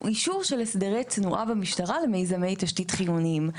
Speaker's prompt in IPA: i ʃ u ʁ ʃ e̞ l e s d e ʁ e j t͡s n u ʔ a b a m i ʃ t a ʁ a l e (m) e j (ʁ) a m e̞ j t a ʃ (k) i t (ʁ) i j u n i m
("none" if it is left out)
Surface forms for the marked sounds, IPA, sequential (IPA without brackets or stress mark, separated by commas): m, z, t, χ